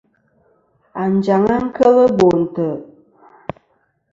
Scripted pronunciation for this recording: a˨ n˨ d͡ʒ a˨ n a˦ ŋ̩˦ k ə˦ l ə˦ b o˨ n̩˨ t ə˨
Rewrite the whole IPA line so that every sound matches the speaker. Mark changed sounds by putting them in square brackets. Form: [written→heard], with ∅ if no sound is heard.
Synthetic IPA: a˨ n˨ d͡ʒ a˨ [n→ŋ] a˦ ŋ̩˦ k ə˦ l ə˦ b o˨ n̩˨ t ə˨

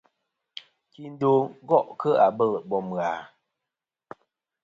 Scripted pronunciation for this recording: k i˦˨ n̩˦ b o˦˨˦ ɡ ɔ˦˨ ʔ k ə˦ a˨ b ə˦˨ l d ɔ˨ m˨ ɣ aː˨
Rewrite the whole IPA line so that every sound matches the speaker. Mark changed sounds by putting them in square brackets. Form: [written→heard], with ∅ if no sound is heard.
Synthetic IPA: k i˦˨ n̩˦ [b→d] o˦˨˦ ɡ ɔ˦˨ ʔ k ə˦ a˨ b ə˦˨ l [d→b] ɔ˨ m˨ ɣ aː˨

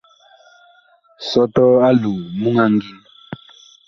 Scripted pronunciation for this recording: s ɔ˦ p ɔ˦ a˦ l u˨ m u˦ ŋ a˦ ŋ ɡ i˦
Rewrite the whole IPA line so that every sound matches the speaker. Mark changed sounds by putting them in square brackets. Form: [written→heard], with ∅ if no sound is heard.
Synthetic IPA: s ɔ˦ [p→t] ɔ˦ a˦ l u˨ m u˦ ŋ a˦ ŋ ɡ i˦

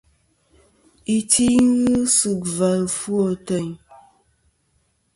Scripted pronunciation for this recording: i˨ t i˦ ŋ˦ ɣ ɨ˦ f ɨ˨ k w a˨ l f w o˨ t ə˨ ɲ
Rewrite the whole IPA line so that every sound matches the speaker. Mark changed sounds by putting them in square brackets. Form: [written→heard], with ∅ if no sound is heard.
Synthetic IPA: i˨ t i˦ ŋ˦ ɣ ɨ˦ [f→s] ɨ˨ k [w→v] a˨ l f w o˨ t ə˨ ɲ

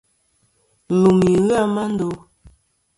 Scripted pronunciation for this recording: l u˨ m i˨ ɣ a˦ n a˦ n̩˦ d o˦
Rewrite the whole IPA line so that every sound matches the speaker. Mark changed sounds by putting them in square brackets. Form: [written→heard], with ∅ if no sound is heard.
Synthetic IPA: l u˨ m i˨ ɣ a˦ [n→m] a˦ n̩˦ d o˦

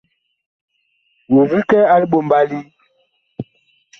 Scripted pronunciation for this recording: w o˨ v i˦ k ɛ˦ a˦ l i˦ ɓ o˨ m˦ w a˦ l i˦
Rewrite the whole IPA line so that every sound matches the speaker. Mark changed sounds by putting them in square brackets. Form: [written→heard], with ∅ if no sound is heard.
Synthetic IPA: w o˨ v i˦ k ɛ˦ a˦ l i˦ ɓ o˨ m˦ [w→b] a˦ l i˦

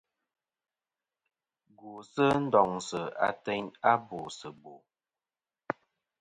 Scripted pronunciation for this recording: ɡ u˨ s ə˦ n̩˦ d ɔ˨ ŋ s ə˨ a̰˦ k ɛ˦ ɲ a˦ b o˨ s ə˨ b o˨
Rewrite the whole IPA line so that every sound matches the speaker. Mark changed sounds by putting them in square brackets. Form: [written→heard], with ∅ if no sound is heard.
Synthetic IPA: ɡ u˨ s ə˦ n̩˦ d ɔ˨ ŋ s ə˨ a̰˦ [k→t] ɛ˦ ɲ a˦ b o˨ s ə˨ b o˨

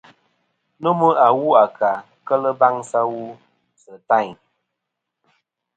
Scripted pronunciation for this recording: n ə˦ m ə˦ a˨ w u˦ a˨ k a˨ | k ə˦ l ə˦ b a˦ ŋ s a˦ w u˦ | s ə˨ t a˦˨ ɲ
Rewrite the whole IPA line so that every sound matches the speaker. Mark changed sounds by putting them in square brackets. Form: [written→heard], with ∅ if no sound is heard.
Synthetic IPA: n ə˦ m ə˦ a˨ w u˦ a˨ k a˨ | k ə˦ l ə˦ b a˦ ŋ s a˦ w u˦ | s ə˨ t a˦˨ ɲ

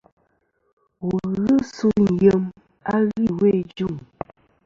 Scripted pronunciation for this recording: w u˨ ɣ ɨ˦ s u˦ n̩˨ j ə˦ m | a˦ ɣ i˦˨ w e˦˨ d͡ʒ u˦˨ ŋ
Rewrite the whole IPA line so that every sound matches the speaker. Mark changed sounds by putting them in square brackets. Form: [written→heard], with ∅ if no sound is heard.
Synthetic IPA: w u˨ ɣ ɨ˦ s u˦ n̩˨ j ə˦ m | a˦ ɣ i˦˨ w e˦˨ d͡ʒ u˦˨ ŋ

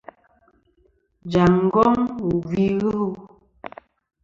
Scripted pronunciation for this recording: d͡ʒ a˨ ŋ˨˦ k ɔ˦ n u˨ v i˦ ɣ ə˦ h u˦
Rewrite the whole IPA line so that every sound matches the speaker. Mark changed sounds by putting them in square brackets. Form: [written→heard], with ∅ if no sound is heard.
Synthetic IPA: d͡ʒ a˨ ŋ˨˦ [k→ɡ] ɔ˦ [n→ŋ] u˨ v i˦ ɣ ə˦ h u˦

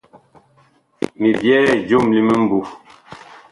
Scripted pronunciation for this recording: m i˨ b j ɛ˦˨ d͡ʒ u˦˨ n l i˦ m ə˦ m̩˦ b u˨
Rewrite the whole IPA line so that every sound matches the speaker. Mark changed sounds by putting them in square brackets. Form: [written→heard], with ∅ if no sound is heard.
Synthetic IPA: m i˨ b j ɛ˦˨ d͡ʒ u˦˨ [n→m] l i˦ m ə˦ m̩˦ b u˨

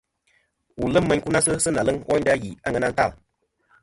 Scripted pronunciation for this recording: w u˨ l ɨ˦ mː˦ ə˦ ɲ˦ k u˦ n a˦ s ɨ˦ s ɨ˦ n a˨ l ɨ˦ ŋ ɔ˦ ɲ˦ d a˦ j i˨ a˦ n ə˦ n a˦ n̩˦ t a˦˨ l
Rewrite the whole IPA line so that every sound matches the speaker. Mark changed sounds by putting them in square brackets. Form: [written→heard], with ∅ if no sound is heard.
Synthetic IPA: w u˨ l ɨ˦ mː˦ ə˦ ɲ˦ k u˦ n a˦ s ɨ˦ s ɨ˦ n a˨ l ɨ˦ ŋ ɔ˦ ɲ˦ d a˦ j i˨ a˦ [n→ŋ] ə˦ n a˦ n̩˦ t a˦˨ l

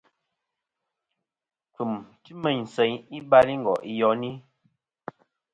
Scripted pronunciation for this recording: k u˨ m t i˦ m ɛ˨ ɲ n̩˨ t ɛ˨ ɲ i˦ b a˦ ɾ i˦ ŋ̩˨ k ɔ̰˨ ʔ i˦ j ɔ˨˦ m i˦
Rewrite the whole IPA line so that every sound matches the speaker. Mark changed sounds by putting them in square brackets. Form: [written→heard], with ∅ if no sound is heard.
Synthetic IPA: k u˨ m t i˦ m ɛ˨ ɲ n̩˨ [t→s] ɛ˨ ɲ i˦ b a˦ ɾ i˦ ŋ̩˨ [k→ɡ] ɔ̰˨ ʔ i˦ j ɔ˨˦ [m→n] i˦

